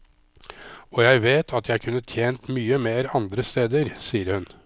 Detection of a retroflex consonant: absent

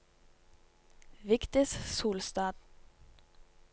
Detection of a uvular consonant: absent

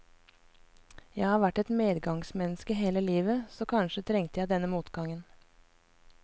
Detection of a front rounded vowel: absent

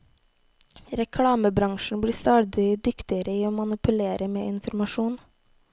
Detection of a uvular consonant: absent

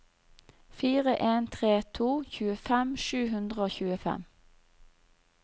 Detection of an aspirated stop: present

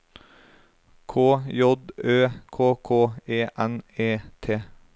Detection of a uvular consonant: absent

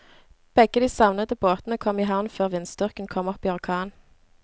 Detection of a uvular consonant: present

